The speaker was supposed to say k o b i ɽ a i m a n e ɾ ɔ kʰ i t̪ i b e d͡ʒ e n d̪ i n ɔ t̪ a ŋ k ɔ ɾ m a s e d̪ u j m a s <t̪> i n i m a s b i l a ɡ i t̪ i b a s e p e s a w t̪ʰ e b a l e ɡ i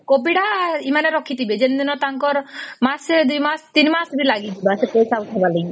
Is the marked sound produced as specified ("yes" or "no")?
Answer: yes